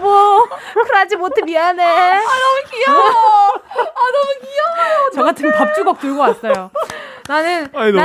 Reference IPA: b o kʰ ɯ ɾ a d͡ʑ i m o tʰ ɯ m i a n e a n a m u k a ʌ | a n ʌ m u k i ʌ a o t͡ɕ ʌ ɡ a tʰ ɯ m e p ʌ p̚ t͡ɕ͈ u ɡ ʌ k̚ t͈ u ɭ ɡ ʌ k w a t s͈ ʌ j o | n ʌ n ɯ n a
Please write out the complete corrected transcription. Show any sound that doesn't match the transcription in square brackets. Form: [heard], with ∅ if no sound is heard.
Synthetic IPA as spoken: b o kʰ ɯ ɾ a d͡ʑ i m o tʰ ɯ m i a n e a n [ʌ] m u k [i] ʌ | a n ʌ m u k i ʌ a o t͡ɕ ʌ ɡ a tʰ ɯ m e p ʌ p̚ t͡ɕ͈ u ɡ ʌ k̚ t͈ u ɭ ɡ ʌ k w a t s͈ ʌ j o | n [a] n ɯ n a